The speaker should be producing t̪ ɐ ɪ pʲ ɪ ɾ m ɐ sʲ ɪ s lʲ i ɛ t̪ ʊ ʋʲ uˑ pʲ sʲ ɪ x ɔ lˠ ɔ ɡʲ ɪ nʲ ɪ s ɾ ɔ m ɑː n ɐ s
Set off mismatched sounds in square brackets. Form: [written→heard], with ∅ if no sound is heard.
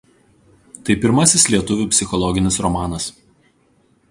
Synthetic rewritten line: t̪ ɐ ɪ pʲ ɪ ɾ m ɐ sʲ ɪ s lʲ i ɛ t̪ ʊ ʋʲ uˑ pʲ sʲ ɪ x ɔ lˠ ɔ ɡʲ ɪ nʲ ɪ s ɾ ɔ m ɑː n ɐ s